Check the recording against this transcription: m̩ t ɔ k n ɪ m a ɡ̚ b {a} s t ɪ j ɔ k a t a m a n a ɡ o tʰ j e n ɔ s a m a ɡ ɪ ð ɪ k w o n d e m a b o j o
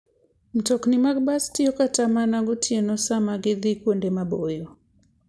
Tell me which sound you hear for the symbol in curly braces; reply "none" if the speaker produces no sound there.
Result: a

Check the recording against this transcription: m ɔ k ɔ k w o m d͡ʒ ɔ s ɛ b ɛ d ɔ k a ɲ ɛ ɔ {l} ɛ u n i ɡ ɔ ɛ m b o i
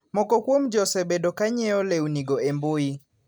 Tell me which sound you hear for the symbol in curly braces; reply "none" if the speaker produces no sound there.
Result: l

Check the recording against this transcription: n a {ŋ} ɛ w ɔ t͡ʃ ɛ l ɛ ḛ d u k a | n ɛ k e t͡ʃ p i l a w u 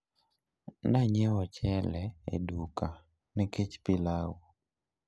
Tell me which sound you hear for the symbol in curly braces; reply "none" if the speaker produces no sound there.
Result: ɲ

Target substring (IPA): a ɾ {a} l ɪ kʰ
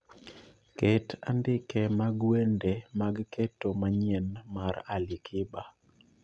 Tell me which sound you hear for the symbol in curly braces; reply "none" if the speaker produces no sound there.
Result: a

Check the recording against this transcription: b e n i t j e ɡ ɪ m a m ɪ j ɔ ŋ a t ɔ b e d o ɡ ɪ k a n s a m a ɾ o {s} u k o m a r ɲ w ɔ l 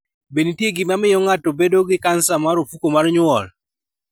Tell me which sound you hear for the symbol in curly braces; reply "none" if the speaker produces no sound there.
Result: f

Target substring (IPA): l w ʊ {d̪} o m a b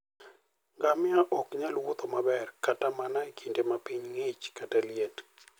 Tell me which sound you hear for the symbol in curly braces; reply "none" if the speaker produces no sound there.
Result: t̪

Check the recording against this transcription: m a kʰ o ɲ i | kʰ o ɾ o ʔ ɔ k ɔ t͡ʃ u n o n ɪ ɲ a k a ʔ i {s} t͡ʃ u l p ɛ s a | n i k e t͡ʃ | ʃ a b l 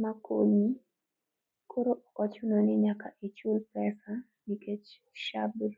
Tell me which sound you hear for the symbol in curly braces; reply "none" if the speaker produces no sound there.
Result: none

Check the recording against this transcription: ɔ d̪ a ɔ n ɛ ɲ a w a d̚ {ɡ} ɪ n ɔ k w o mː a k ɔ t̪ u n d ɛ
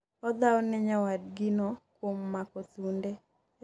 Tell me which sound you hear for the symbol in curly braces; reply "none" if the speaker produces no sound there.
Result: ɡ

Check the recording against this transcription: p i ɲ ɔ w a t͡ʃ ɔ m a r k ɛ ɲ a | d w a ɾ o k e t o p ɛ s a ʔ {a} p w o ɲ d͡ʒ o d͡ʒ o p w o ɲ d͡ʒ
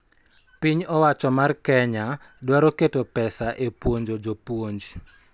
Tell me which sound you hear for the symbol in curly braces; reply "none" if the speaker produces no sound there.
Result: e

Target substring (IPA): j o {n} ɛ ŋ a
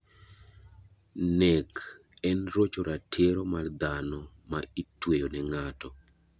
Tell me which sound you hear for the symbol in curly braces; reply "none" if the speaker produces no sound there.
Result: n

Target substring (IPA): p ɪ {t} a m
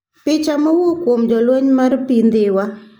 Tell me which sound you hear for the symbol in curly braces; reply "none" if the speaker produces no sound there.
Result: t͡ʃ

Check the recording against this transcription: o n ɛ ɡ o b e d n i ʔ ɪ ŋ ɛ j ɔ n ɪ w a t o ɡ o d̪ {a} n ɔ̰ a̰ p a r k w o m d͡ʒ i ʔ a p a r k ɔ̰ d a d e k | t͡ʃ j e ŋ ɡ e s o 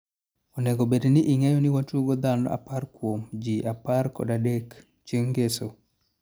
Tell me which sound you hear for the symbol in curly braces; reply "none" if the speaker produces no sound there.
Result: a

